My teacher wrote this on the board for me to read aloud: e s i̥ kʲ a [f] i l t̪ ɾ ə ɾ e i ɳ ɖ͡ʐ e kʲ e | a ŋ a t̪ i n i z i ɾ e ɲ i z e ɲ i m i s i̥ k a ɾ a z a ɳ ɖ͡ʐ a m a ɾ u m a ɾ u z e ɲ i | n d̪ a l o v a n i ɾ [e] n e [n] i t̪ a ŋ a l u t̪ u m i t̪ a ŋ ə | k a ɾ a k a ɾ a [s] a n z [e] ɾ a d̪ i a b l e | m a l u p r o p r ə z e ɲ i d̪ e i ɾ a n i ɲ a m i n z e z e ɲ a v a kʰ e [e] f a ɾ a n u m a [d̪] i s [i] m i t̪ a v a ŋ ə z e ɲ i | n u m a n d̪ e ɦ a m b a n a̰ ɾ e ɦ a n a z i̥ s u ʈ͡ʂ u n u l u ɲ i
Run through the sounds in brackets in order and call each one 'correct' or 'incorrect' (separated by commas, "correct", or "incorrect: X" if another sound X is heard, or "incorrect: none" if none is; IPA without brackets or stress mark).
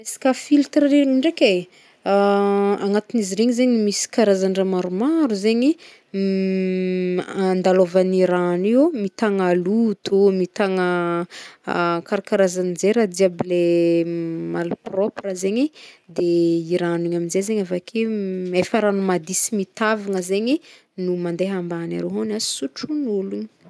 correct, incorrect: a, incorrect: m, incorrect: z, correct, correct, correct, correct